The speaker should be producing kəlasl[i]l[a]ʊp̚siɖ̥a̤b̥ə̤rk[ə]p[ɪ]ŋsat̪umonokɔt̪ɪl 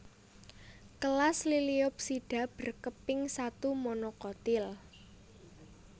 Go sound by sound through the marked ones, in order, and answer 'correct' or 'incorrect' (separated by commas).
correct, incorrect, correct, correct